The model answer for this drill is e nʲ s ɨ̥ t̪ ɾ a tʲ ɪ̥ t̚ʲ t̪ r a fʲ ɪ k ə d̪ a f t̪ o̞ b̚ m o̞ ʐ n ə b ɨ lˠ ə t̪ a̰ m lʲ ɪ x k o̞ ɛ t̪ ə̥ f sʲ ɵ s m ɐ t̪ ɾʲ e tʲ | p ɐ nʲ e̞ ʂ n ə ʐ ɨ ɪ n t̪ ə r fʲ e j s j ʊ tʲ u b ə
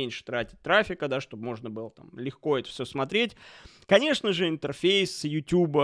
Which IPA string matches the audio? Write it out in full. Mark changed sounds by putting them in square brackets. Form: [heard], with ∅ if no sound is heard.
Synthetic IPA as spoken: e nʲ [ʂ] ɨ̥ t̪ ɾ a tʲ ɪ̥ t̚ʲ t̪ [ɾ] a fʲ ɪ k ə d̪ a [ʂ] t̪ o̞ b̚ m o̞ ʐ n ə b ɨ lˠ ə t̪ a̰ m lʲ ɪ x k o̞ ɛ t̪ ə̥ f sʲ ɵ s m ɐ t̪ ɾʲ e tʲ | [k] ɐ nʲ e̞ ʂ n ə ʐ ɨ ɪ n t̪ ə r fʲ e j s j ʊ tʲ u b ə